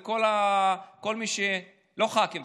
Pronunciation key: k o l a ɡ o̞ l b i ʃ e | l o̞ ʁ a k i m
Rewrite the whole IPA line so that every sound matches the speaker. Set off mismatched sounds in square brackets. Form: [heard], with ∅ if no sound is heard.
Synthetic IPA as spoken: k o l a [k] o̞ l [m] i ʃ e | l o̞ [χ] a k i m